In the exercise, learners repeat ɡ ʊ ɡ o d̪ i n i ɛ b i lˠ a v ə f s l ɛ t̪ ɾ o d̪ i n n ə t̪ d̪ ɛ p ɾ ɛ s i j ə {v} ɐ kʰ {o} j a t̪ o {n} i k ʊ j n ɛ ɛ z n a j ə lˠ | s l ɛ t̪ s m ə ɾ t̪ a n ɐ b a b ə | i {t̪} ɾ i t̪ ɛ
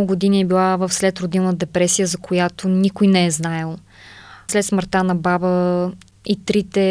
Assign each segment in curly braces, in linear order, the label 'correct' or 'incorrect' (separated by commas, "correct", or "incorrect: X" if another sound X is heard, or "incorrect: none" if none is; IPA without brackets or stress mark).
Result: incorrect: z, correct, correct, correct